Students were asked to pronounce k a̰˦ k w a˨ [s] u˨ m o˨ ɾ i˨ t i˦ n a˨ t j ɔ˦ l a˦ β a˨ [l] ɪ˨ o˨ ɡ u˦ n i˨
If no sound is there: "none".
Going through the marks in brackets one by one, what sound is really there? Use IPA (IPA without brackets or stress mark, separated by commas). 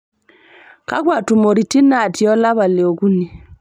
t, l